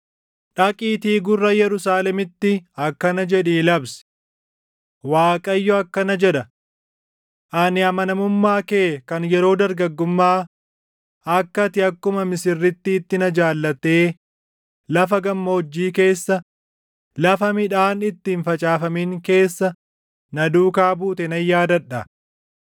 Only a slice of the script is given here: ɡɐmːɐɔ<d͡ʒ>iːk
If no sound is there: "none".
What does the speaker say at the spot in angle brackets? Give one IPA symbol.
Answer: d͡ʒː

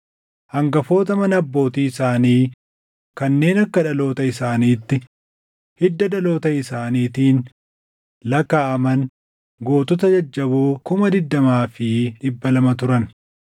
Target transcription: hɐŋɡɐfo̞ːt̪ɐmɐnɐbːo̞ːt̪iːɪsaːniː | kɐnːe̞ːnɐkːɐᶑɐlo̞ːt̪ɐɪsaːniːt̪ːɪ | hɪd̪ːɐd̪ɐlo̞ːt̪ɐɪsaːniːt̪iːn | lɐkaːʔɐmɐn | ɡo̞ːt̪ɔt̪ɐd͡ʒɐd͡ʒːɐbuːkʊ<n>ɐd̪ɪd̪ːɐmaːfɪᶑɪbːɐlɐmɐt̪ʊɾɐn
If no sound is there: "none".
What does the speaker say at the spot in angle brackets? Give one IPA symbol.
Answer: m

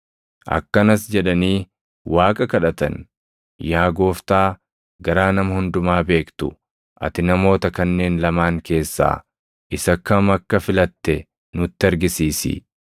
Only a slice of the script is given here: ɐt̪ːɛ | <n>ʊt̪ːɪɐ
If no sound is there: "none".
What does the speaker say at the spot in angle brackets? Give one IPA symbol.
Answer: n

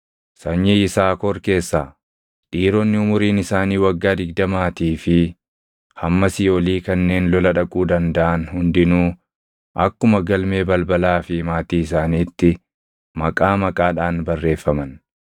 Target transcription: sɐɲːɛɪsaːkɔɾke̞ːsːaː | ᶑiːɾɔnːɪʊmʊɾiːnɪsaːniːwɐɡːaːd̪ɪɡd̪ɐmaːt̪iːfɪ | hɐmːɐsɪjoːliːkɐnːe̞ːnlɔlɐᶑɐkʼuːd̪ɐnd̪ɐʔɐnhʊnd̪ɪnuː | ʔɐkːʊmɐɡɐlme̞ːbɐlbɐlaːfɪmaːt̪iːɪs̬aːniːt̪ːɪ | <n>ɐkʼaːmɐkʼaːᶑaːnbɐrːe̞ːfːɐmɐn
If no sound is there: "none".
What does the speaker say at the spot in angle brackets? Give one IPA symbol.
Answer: m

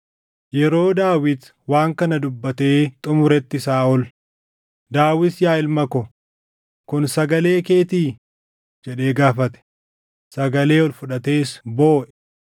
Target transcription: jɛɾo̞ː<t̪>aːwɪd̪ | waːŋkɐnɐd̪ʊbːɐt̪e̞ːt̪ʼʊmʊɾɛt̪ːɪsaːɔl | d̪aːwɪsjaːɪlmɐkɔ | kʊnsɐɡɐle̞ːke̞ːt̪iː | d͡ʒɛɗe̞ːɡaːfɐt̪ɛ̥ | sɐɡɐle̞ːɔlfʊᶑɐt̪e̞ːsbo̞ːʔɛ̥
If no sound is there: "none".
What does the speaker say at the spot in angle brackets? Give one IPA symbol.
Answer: d̪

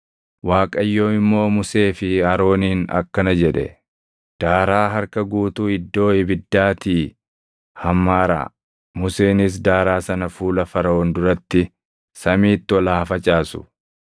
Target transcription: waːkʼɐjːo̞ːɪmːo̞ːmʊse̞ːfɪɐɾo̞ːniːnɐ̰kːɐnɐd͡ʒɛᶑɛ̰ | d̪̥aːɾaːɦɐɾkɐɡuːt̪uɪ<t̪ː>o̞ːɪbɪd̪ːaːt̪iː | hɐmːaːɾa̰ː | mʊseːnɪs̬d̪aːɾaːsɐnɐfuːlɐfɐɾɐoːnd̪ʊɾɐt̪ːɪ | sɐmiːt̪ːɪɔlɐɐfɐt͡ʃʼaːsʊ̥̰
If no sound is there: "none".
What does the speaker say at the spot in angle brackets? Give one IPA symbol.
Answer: d̪ː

